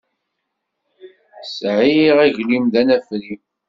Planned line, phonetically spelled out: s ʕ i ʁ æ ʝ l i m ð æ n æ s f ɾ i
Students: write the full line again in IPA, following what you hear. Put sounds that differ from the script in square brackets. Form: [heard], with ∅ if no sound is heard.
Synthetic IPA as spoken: s ʕ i ʁ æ ʝ l i m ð æ n æ [∅] f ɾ i